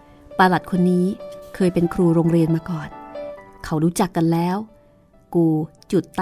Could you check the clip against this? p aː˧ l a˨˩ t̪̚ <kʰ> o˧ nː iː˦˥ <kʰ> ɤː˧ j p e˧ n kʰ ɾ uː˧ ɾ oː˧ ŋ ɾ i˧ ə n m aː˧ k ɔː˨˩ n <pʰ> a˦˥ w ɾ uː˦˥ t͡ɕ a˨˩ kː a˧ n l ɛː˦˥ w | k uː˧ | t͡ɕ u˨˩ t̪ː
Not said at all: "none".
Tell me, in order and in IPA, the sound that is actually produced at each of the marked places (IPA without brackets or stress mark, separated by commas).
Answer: kʰ, kʰ, kʰ